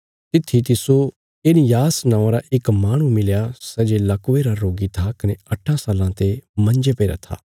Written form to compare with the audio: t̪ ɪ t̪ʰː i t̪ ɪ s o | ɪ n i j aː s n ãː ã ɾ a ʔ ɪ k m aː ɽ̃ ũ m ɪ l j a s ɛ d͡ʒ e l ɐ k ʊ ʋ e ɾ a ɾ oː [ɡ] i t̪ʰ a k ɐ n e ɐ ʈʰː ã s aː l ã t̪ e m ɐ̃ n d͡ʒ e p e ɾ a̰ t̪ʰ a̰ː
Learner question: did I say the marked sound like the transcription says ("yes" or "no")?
yes